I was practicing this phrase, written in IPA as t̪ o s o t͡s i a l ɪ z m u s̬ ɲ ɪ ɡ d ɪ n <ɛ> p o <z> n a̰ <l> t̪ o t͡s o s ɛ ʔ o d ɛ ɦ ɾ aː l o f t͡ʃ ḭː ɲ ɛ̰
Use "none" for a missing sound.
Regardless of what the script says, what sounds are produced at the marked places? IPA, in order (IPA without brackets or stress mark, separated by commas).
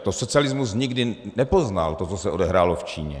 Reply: ɛ, z, l